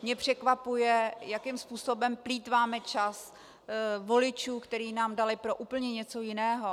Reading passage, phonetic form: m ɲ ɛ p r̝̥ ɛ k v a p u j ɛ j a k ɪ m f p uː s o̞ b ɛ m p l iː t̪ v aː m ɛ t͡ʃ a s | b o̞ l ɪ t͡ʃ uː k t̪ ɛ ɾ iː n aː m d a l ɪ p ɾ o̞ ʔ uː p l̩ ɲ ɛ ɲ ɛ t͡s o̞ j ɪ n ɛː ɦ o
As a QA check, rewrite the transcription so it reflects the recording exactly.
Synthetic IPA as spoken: m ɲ ɛ p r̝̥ ɛ k v a p u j ɛ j a k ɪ m s p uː s o̞ b ɛ m p l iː t̪ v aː m ɛ t͡ʃ a s | v o̞ l ɪ t͡ʃ uː k t̪ ɛ ɾ iː n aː m d a l ɪ p ɾ o̞ ʔ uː p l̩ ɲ ɛ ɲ ɛ t͡s o̞ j ɪ n ɛː ɦ o